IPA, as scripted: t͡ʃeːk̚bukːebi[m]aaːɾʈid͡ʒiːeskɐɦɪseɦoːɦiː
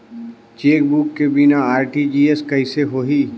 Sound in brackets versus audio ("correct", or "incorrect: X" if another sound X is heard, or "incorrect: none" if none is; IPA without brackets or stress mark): incorrect: n